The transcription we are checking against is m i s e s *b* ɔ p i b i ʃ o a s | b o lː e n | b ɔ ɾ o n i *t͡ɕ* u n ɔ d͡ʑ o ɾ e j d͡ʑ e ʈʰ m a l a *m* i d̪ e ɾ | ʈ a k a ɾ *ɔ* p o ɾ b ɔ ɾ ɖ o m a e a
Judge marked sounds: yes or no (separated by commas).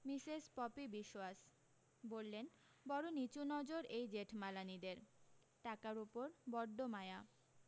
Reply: no, yes, no, no